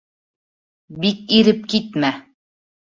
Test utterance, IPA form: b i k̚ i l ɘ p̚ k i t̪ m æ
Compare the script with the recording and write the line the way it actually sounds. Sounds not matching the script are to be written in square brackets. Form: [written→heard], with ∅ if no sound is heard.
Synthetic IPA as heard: b i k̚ i [l→ɾ] ɘ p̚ k i t̪ m æ

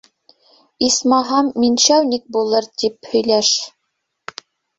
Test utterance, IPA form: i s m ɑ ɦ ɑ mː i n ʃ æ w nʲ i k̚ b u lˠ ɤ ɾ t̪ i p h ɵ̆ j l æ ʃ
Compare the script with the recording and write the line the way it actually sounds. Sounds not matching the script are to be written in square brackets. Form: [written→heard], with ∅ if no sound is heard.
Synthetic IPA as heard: i s m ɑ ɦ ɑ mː i n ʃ æ w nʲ i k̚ b u lˠ ɤ ɾ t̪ i p h ɵ̆ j l æ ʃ

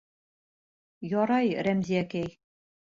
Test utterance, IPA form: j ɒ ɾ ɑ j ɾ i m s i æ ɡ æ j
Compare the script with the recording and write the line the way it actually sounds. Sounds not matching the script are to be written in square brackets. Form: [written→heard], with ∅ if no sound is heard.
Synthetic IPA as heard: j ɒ ɾ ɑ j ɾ [i→æ] m [s→z] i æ [ɡ→k] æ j

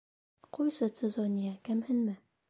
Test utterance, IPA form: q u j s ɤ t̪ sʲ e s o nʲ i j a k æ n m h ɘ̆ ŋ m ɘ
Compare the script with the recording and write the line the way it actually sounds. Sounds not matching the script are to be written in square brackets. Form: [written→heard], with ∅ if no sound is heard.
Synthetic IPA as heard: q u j s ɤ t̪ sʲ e [s→z] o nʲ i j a k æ [n→∅] m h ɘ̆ [ŋ→n] m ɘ

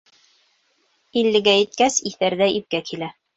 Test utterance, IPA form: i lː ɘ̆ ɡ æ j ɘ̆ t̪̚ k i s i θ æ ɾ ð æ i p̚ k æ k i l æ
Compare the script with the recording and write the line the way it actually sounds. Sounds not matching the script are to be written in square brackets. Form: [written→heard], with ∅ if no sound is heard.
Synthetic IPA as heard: i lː ɘ̆ ɡ æ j ɘ̆ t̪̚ k [i→æ] s i θ æ ɾ ð æ i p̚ k æ k i l æ

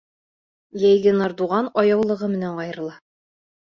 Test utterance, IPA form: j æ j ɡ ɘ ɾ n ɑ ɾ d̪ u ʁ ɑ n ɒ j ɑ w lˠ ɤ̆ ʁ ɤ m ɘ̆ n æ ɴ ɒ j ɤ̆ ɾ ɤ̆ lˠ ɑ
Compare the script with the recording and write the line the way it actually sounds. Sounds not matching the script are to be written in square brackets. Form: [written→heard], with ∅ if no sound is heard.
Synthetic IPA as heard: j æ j ɡ ɘ [ɾ→∅] n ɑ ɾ d̪ u ʁ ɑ n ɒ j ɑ w lˠ ɤ̆ ʁ ɤ m ɘ̆ n æ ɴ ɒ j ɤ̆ ɾ ɤ̆ lˠ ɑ

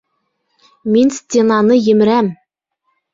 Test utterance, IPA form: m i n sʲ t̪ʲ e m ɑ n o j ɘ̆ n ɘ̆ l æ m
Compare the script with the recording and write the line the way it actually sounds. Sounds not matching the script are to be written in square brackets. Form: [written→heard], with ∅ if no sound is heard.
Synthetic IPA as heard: m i n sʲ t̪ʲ e [m→n] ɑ n [o→ɤ] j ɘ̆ [n→m] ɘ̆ [l→ɾ] æ m

